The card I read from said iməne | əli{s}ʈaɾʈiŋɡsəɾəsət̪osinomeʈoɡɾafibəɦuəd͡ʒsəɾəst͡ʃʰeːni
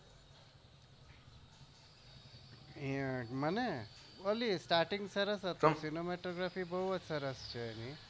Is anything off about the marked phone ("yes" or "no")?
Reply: no